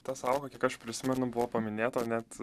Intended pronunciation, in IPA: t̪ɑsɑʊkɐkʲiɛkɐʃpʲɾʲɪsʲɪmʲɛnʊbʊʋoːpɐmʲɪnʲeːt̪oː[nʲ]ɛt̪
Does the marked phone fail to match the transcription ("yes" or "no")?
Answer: no